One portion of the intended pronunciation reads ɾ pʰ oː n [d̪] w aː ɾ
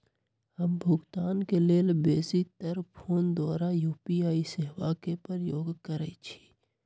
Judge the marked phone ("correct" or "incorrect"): correct